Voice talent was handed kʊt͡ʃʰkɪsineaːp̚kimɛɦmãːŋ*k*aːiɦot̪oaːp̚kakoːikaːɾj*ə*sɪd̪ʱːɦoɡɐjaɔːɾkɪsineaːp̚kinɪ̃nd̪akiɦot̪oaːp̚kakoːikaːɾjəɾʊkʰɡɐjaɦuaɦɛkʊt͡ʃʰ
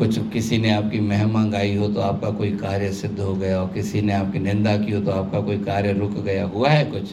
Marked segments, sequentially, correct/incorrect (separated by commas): incorrect, correct